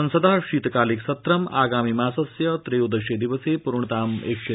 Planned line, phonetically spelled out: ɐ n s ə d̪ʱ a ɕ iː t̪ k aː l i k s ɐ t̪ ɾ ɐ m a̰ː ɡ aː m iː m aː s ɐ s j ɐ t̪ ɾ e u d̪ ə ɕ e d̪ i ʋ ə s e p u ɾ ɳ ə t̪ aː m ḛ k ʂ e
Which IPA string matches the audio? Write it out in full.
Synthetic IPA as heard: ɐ n s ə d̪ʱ a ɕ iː t̪ k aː l i k s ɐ t̪ ɾ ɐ m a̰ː ɡ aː m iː m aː s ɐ s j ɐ t̪ ɾ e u d̪ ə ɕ e d̪ i ʋ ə s e p u ɾ ɳ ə t̪ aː m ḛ k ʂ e